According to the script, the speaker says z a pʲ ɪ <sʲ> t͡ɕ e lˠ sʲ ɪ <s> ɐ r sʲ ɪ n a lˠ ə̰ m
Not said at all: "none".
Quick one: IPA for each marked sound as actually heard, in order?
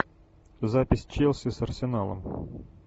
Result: sʲ, s

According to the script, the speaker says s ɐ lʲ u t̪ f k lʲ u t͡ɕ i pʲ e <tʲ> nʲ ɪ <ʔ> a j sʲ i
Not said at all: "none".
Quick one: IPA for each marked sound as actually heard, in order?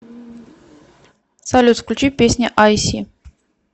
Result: sʲ, ʔ

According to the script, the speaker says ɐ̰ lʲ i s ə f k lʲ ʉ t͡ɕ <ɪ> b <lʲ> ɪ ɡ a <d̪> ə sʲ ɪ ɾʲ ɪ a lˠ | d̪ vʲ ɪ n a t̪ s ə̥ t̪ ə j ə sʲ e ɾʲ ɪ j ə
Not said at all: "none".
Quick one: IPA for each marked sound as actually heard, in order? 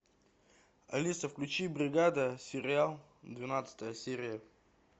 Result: i, ɾʲ, d̪

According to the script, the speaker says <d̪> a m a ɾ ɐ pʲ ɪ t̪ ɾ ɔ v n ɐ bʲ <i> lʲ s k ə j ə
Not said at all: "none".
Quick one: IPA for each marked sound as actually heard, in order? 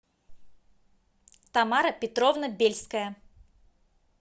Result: t̪, e

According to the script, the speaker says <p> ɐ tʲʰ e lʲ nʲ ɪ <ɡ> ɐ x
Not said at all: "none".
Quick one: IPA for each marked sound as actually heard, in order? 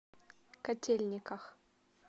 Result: k, k

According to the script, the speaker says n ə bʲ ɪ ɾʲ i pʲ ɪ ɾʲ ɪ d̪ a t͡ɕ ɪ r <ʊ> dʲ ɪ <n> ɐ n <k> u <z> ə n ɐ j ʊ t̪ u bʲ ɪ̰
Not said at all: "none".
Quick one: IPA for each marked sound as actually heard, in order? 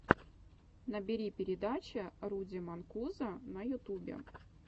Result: u, m, k, z

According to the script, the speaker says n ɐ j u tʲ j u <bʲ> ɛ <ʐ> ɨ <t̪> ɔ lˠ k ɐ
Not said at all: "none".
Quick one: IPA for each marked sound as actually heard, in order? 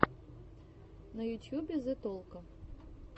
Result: bʲ, z, t̪

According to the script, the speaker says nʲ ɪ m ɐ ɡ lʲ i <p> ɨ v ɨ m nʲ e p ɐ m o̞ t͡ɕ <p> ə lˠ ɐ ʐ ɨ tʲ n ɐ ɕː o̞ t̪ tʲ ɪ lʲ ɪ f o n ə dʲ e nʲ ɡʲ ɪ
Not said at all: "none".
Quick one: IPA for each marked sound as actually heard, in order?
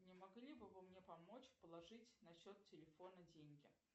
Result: b, p

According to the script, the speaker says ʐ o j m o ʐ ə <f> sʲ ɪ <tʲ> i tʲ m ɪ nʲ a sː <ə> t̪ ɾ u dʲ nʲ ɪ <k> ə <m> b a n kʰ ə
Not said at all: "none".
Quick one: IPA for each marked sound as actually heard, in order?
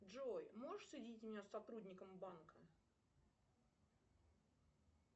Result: ʂ, dʲ, ɐ, k, m

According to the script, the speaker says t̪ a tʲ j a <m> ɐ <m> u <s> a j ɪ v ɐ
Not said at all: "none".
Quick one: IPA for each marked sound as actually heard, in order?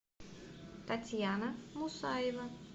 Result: n, m, s

